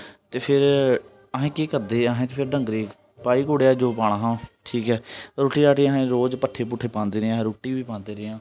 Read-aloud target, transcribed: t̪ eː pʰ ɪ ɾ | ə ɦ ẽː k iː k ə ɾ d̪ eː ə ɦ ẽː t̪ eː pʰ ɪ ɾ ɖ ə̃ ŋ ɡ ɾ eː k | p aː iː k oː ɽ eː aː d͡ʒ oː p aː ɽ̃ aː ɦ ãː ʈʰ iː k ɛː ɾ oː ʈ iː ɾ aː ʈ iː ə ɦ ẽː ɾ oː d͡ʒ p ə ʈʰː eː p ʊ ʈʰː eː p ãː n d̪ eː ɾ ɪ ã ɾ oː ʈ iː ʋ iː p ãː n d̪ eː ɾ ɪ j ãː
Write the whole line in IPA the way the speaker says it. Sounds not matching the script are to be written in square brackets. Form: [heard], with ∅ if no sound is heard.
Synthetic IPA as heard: t̪ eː pʰ ɪ ɾ | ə ɦ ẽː k iː k ə ɾ d̪ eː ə ɦ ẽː t̪ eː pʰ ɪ ɾ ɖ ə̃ ŋ ɡ ɾ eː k | p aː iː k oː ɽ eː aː d͡ʒ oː p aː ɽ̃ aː ɦ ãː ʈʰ iː k ɛː ɾ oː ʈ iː ɾ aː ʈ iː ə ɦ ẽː ɾ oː d͡ʒ p ə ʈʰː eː p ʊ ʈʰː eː p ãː n d̪ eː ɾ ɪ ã ɾ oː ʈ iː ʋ iː p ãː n d̪ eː ɾ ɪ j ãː